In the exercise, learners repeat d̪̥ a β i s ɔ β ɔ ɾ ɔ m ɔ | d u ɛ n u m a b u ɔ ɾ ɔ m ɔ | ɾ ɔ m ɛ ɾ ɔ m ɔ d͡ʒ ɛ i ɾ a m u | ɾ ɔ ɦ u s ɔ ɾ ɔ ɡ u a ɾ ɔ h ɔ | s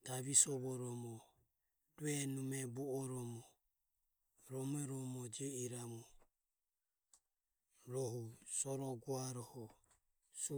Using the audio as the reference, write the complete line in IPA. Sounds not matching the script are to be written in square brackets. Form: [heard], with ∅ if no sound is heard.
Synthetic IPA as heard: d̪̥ a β i s ɔ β ɔ ɾ ɔ m ɔ | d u ɛ n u m [ɛ] b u ɔ ɾ ɔ m ɔ | ɾ ɔ m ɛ ɾ ɔ m ɔ d͡ʒ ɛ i ɾ a m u | ɾ ɔ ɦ u s ɔ ɾ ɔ ɡ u a ɾ ɔ h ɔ | s